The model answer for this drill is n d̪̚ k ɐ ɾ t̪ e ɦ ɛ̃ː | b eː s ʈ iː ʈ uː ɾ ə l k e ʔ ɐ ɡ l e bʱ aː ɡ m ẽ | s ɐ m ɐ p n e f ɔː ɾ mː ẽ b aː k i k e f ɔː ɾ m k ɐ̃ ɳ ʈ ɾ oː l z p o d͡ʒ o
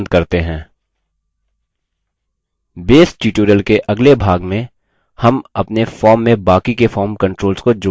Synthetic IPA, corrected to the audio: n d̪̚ k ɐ ɾ t̪ e ɦ ɛ̃ː | b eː s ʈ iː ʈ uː ɾ ə l k e ʔ ɐ ɡ l e bʱ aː ɡ m ẽ | h ɐ m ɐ p n e f ɔː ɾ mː ẽ b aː k i k e f ɔː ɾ m k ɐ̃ ɳ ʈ ɾ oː l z k o d͡ʒ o